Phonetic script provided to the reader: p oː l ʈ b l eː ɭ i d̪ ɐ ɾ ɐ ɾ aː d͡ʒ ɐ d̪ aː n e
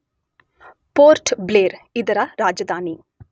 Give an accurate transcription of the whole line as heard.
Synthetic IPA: p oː ɾ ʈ b l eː ɾ i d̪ ɐ ɾ ɐ ɾ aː d͡ʒ ɐ d̪ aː n i